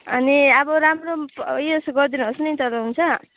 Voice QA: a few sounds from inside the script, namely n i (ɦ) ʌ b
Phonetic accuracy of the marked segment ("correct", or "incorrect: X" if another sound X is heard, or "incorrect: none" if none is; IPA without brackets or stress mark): incorrect: none